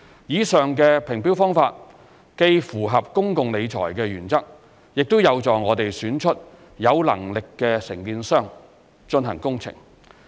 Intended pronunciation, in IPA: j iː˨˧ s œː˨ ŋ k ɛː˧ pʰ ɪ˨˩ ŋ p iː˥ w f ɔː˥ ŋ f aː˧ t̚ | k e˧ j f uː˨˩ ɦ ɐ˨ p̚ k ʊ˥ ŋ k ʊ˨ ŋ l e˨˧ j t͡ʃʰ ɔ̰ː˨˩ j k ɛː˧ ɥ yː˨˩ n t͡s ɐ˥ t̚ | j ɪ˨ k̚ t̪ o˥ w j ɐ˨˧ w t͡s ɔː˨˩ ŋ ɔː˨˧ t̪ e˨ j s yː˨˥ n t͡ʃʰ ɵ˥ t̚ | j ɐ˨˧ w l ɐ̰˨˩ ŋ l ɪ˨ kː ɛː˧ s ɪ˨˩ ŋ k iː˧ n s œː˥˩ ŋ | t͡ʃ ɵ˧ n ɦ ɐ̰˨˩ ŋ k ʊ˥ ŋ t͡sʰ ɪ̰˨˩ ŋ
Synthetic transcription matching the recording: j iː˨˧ s œː˨ ŋ k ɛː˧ pʰ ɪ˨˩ ŋ p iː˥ w f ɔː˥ ŋ f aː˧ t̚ | k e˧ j f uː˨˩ ɦ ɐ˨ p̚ k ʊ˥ ŋ k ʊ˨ ŋ l e˨˧ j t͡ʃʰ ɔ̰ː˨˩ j k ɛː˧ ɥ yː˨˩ n t͡s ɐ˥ k̚ | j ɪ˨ k̚ t̪ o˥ w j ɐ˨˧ w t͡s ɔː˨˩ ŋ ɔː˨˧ t̪ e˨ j s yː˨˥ n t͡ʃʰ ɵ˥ t̚ | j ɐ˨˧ w l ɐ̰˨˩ ŋ l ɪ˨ kː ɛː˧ s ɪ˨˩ ŋ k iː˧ n s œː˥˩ ŋ | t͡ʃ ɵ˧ n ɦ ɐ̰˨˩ ŋ k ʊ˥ ŋ t͡sʰ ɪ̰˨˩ ŋ